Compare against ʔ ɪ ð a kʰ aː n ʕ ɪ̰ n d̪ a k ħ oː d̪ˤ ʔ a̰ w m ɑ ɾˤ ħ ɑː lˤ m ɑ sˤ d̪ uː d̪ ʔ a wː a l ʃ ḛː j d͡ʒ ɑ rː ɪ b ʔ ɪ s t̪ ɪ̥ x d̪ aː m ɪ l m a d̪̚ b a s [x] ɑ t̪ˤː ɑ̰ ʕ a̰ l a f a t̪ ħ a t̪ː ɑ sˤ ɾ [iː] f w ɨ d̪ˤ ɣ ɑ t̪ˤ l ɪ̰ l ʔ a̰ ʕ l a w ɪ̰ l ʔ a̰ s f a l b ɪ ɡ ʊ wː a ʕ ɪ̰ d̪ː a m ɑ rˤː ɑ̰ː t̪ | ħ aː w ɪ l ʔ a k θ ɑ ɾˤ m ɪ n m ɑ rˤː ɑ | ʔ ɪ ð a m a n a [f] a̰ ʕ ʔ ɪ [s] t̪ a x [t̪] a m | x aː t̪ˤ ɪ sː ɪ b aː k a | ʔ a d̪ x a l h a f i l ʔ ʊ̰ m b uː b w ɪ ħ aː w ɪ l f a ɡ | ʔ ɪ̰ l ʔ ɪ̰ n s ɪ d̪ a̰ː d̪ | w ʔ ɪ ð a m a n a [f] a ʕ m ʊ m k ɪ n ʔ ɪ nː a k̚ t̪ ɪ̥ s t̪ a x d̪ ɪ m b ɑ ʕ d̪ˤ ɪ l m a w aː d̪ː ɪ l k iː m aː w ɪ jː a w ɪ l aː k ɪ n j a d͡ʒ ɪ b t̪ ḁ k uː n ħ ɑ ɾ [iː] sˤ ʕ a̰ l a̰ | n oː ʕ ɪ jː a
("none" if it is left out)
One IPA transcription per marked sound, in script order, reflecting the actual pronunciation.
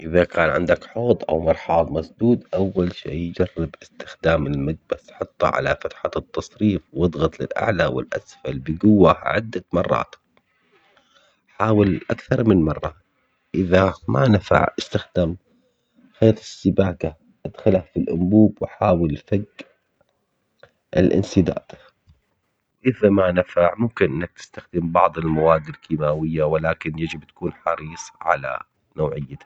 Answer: ħ, iː, f, s, d̪, f, iː

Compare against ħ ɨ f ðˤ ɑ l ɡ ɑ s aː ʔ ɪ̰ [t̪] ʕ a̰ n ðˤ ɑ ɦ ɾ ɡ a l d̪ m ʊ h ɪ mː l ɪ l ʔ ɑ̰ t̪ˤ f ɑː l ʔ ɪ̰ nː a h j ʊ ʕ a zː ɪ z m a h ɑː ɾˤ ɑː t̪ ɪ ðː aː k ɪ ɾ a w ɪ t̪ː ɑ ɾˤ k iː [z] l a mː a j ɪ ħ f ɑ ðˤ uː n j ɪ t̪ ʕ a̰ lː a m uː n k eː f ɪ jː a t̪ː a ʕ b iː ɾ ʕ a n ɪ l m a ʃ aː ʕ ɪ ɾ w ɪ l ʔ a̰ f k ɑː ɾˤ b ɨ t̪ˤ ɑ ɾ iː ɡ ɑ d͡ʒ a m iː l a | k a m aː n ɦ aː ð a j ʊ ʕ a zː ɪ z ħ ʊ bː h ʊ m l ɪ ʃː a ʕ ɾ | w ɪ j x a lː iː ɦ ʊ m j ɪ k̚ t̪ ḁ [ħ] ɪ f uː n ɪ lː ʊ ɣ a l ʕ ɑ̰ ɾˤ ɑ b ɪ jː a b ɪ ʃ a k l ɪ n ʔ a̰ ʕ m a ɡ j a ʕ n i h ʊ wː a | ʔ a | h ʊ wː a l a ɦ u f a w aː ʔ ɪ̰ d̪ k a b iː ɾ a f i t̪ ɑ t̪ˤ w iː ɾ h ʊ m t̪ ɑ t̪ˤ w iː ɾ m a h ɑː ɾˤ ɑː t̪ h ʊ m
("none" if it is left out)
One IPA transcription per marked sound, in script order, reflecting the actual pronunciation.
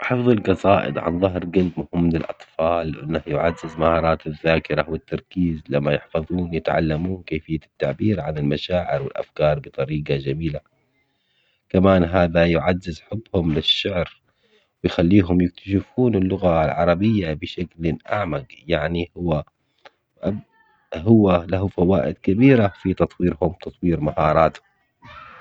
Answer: d̪, z, ʃ

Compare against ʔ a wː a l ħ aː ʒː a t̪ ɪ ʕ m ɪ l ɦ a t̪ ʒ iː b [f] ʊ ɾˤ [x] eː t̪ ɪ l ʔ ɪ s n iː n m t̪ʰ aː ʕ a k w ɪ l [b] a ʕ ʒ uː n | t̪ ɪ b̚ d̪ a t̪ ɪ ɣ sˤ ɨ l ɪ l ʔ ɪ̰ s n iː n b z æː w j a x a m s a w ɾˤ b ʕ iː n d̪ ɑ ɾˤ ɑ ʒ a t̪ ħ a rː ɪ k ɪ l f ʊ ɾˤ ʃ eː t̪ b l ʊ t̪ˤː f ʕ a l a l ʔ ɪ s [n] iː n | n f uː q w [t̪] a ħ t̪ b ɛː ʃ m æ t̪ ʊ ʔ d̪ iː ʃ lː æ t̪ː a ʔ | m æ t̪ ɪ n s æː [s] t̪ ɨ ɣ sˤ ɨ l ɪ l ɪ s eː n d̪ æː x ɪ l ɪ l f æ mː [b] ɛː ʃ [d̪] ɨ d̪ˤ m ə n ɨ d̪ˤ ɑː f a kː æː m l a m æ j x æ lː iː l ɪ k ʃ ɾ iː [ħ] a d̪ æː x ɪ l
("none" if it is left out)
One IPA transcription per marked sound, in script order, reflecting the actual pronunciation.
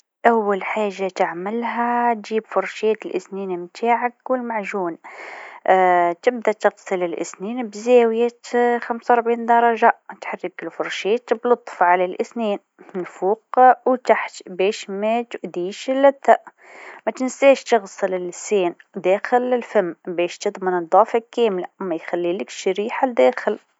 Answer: f, ʃ, m, n, t̪, ʃ, b, t̪, ħ

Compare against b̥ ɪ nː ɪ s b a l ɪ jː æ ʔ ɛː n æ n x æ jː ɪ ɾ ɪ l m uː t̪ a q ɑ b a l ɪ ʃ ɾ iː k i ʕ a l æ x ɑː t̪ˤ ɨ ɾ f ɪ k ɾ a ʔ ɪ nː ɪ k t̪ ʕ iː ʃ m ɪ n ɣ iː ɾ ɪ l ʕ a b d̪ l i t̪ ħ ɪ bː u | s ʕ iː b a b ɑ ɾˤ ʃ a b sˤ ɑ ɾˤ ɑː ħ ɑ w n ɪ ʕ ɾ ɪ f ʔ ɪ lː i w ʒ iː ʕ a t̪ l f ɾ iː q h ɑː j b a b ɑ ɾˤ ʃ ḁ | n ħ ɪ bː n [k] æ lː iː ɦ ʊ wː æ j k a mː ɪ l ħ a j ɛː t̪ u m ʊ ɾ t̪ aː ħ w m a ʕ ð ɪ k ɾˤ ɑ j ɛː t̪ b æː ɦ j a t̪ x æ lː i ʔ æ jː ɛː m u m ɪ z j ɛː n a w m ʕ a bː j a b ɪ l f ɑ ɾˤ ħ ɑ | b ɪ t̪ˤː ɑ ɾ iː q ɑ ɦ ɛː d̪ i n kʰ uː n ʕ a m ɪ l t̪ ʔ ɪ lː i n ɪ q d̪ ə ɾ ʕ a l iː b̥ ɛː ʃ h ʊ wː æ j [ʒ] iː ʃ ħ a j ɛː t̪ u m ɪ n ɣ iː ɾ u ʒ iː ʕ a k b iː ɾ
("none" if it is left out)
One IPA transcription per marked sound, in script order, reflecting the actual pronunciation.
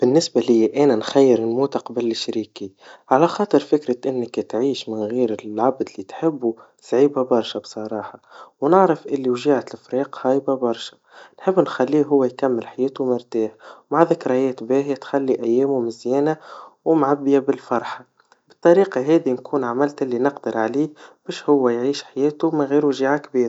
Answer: x, ʕ

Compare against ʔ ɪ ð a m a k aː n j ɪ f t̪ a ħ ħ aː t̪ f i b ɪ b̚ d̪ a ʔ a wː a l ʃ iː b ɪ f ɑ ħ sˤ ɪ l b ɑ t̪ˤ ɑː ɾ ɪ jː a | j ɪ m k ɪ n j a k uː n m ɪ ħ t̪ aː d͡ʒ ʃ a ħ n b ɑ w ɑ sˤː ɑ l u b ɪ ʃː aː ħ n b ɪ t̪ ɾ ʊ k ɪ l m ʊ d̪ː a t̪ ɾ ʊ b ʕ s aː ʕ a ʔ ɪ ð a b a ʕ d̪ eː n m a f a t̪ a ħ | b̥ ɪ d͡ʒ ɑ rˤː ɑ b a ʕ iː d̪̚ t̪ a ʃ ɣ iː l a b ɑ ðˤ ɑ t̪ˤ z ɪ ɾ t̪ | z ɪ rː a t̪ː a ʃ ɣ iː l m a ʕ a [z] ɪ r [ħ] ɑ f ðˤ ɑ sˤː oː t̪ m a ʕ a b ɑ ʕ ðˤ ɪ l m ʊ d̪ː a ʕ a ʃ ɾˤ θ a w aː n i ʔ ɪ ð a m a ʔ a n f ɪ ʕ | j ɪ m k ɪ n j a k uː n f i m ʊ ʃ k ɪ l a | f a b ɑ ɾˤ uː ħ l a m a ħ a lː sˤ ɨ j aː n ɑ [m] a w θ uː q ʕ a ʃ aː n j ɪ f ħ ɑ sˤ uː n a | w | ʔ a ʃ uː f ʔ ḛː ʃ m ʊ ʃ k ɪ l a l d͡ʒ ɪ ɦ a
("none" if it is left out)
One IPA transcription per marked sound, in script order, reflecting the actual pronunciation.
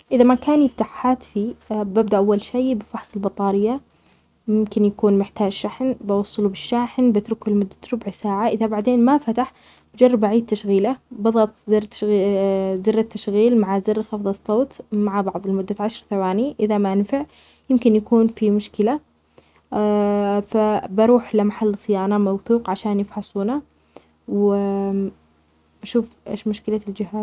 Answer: z, x, m

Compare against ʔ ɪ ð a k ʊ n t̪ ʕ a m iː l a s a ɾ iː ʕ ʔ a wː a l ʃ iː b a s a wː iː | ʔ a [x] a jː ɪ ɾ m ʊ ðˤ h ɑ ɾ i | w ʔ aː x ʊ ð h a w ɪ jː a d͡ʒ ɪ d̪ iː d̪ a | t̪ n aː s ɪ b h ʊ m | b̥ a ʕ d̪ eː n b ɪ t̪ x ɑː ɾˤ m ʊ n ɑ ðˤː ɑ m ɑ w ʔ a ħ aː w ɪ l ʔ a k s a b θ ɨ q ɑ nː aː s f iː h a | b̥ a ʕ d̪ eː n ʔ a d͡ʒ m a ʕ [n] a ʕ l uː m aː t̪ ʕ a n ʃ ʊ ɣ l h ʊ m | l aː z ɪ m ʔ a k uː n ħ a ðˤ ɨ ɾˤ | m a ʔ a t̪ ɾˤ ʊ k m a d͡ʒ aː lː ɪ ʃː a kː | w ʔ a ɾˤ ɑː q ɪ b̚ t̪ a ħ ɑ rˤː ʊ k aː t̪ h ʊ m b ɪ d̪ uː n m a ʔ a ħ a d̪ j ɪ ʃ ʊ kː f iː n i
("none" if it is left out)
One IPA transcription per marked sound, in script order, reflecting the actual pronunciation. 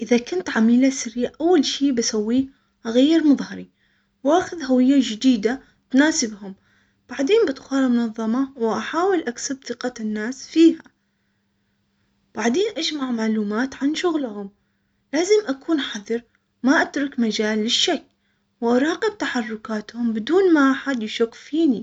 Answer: ɣ, m

